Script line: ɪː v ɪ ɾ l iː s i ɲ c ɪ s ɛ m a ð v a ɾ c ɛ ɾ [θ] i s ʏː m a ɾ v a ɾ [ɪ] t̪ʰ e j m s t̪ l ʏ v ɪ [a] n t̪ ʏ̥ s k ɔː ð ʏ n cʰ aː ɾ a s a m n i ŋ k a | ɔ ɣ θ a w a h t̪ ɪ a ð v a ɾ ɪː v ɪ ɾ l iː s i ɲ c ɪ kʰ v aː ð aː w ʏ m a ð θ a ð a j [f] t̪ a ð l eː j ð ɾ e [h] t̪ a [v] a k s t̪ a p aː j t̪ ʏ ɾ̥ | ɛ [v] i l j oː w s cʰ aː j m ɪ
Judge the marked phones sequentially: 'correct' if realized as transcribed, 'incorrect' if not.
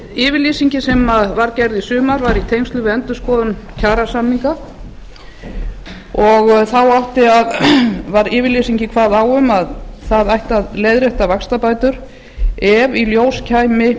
incorrect, incorrect, incorrect, incorrect, correct, correct, correct

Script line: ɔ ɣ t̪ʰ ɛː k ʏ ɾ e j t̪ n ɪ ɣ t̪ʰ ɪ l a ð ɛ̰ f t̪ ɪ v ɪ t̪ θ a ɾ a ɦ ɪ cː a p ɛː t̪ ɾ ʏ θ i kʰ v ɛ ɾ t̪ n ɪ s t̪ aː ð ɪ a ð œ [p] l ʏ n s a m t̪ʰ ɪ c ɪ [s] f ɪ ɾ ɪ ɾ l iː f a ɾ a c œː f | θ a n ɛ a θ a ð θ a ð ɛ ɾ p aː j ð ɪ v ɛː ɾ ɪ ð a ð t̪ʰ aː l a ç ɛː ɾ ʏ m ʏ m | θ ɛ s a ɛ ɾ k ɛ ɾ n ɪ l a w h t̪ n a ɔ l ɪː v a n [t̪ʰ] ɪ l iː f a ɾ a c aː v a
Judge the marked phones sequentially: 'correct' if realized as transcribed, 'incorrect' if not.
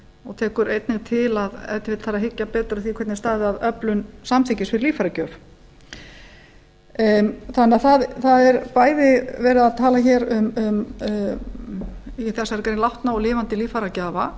correct, correct, incorrect

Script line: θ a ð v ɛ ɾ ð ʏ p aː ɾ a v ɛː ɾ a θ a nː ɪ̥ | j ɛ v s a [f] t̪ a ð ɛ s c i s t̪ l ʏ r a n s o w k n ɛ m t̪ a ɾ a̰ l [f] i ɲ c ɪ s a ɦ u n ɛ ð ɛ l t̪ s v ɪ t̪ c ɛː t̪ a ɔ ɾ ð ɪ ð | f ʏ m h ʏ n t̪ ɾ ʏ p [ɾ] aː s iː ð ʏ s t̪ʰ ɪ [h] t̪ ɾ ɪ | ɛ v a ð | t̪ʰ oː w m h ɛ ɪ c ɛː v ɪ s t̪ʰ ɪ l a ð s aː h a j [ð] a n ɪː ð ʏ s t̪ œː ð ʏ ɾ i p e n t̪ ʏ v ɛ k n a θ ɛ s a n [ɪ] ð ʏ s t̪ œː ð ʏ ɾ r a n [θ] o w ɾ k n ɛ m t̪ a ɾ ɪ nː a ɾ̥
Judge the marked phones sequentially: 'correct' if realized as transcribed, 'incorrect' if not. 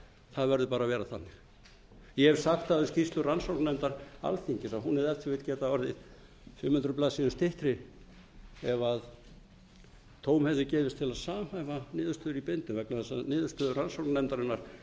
incorrect, incorrect, incorrect, correct, incorrect, incorrect, incorrect

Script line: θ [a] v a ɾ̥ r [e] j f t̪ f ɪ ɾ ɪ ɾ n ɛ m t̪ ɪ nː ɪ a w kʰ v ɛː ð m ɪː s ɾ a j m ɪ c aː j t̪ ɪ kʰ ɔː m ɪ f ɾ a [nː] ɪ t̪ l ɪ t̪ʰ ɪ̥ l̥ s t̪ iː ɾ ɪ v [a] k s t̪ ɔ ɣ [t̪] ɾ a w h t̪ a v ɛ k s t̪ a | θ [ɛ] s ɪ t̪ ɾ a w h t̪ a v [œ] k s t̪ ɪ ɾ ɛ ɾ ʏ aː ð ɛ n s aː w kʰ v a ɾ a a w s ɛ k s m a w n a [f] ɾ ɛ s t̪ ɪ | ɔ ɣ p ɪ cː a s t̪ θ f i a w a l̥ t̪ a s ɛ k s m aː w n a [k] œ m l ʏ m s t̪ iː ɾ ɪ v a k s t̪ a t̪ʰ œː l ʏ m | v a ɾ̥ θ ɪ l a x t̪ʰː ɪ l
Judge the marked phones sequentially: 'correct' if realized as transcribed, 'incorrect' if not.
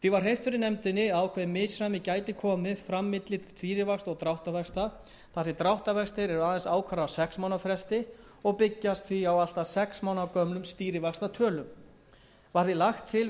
incorrect, correct, incorrect, correct, correct, incorrect, incorrect, correct, correct

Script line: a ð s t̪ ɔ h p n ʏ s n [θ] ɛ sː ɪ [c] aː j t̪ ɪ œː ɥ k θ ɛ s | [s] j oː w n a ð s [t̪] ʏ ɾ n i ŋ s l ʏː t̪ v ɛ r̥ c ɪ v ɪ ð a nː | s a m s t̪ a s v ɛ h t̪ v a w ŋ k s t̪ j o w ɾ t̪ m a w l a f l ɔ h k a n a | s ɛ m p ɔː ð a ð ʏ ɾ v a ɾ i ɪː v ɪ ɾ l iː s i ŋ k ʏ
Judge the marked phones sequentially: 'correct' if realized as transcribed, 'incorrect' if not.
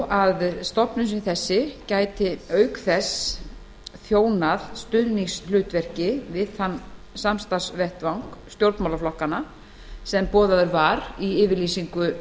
correct, correct, incorrect, correct

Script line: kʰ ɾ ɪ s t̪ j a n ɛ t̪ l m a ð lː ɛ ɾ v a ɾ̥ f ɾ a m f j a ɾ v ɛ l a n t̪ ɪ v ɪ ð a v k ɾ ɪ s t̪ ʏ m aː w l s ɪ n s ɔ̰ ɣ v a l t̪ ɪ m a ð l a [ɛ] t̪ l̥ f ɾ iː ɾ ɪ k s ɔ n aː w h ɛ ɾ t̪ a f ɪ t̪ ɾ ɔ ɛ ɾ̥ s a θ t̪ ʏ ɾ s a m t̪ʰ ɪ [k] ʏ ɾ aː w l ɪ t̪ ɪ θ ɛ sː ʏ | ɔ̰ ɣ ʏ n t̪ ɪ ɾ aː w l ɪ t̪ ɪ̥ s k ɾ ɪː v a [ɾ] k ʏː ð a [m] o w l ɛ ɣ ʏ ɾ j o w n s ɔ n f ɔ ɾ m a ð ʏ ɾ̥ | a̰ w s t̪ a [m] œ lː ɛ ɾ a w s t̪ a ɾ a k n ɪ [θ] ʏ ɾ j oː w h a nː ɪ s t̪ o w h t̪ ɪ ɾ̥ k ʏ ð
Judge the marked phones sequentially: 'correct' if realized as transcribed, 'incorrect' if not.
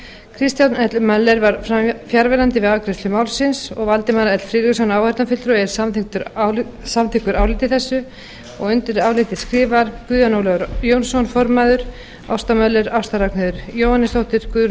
correct, correct, correct, incorrect, correct, incorrect

